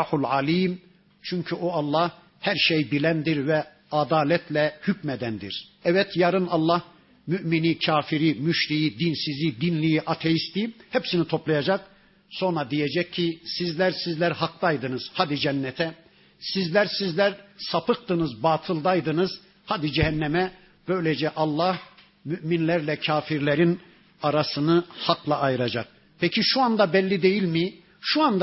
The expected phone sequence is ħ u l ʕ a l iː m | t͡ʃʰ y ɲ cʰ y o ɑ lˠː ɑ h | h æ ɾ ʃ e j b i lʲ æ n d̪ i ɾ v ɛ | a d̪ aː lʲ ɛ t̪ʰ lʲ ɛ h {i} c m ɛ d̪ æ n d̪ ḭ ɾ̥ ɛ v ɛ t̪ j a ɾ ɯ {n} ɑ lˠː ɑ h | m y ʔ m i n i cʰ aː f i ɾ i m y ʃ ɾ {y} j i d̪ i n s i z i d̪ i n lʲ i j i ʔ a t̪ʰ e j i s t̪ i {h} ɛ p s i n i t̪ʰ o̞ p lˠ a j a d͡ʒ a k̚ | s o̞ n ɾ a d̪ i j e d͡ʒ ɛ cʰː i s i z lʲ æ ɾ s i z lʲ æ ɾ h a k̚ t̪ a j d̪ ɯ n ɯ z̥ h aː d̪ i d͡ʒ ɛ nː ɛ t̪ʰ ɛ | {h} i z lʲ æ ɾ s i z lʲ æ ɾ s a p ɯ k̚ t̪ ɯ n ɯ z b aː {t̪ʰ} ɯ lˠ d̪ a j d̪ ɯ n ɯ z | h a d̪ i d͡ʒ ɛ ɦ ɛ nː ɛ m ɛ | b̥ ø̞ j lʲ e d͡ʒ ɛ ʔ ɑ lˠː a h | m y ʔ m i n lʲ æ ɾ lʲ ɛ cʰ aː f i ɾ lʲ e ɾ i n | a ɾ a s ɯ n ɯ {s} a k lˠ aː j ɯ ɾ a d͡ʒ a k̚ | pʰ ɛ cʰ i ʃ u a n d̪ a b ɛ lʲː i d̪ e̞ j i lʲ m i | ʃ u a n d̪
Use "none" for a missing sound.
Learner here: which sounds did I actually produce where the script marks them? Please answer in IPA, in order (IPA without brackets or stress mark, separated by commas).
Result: y, n, i, h, s, t̪ʰ, h